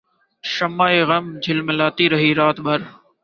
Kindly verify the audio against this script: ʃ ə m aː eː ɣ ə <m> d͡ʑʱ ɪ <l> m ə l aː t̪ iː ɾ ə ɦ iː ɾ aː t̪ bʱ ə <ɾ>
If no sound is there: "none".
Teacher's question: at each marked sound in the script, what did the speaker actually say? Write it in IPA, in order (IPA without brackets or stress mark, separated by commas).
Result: m, l, ɾ